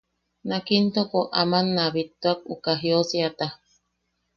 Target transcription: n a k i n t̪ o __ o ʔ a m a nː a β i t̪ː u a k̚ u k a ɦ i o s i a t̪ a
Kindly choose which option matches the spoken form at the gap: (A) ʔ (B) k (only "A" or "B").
B